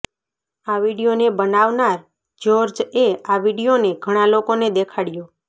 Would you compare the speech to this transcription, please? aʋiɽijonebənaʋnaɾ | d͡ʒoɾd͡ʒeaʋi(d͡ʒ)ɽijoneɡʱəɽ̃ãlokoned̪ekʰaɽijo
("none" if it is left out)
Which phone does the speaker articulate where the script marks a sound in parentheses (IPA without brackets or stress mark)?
none